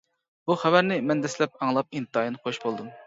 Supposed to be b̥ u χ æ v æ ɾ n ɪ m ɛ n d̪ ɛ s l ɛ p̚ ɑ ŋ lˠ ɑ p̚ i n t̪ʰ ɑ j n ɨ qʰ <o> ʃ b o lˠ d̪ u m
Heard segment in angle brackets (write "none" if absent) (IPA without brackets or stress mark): o